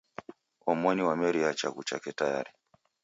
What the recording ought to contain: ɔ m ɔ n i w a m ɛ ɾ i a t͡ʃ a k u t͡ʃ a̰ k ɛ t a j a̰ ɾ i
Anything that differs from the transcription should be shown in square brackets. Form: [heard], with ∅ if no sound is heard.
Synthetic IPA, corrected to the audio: ɔ m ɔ n i w a m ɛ ɾ i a t͡ʃ a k u t͡ʃ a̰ k ɛ t a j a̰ ɾ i